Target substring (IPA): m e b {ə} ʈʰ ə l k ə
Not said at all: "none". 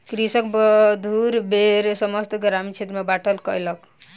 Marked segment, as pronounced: a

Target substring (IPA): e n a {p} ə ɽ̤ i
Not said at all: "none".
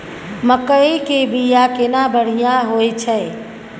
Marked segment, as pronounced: b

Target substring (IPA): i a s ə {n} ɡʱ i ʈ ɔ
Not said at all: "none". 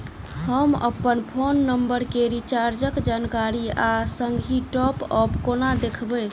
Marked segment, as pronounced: ŋ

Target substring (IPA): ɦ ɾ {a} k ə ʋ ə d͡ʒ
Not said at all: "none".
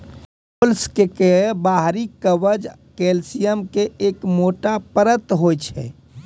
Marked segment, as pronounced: i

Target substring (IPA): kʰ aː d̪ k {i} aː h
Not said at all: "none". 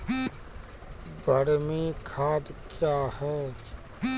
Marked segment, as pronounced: j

